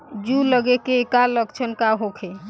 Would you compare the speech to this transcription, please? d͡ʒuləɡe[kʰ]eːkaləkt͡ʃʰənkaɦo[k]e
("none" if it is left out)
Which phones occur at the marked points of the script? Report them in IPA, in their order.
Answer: k, kʰ

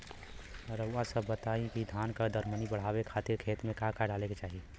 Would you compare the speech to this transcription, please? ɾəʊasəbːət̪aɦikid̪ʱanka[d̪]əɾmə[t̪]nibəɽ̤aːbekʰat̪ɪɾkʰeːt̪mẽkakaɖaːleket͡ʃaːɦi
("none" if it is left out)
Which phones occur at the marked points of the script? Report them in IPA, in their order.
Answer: d̪, none

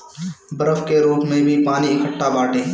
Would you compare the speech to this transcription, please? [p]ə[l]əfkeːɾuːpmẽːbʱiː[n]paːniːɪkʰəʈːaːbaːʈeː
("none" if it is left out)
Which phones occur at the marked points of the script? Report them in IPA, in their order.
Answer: b, ɾ, none

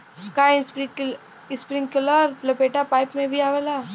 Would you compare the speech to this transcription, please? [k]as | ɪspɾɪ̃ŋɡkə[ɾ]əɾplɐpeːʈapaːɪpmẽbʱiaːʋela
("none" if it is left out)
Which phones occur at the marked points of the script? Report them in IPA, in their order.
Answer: k, l

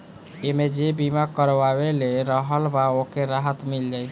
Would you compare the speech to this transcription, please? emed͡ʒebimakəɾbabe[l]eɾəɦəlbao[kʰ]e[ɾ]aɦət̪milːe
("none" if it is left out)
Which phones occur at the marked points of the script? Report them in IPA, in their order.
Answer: l, k, ɾ

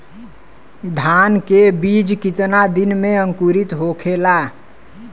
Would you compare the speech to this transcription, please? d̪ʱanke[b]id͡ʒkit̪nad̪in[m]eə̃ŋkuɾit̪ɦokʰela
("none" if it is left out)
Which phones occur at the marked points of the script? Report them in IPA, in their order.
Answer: b, m

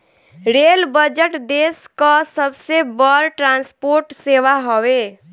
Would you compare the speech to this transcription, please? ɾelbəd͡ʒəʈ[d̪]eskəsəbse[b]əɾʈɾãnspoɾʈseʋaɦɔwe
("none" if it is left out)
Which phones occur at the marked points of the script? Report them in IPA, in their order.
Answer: d̪, b

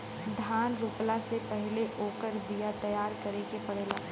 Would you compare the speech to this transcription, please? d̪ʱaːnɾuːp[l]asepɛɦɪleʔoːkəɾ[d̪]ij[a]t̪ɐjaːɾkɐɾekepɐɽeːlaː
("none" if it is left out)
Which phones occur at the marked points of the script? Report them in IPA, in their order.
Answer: l, d̪, a

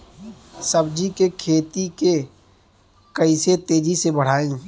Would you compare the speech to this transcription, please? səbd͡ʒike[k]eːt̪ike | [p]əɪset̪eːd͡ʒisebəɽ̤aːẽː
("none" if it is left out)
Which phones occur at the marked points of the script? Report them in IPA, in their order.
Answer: kʰ, k

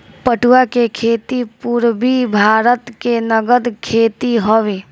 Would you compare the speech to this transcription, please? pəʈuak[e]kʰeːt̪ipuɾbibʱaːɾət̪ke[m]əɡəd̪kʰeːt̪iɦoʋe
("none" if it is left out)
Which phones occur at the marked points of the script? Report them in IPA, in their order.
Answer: e, n

